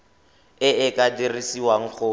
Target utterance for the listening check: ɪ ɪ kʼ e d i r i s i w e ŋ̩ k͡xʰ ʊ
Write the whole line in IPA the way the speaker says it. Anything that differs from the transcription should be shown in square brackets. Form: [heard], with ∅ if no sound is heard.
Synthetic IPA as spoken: ɪ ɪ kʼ [a] d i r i s i w [a] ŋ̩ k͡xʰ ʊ